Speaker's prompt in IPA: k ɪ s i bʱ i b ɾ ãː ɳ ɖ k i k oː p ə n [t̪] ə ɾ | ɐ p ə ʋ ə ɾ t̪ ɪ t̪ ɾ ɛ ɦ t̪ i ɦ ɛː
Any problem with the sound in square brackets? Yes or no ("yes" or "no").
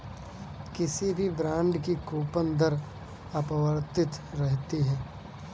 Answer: yes